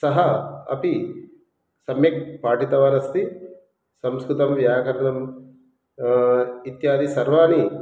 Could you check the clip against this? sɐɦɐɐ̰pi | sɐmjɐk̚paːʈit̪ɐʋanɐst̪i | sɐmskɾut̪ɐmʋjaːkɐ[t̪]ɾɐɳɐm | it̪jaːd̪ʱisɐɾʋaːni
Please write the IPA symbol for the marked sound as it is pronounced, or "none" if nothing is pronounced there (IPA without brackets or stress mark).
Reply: none